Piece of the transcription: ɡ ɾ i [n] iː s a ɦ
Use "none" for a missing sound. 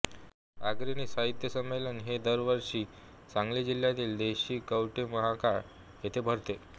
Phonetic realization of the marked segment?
n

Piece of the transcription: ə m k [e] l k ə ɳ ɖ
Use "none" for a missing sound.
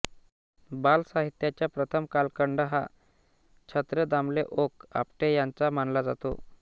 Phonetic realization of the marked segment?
a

